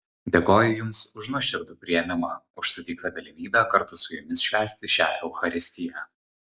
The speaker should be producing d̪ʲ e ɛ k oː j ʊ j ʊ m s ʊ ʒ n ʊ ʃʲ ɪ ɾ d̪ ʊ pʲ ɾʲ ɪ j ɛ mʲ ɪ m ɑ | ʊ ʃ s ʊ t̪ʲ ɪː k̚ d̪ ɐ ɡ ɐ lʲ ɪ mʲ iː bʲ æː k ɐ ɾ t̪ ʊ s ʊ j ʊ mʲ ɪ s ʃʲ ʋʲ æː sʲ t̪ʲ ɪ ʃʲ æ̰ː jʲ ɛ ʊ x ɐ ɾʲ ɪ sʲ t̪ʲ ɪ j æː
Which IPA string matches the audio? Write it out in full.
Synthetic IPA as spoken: d̪ʲ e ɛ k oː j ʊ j ʊ m s ʊ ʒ n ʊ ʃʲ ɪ ɾ d̪ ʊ pʲ ɾʲ ɪ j ɛ mʲ ɪ m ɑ | ʊ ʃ s ʊ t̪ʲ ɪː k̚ t̪ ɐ ɡ ɐ lʲ ɪ mʲ iː bʲ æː k ɐ ɾ t̪ ʊ s ʊ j ʊ mʲ ɪ s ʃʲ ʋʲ æː sʲ t̪ʲ ɪ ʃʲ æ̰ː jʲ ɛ ʊ x ɐ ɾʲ ɪ sʲ t̪ʲ ɪ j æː